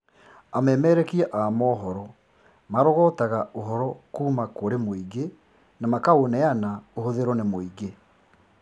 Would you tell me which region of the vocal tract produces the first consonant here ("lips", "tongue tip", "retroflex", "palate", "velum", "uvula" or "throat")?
lips